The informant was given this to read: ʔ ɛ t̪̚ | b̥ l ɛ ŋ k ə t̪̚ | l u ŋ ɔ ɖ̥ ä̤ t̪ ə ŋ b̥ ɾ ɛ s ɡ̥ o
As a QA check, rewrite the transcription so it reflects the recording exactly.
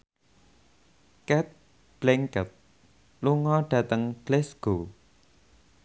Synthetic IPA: k ɛ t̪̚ | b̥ l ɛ ŋ k ə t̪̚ | l u ŋ ɔ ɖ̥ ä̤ t̪ ə ŋ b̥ l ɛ s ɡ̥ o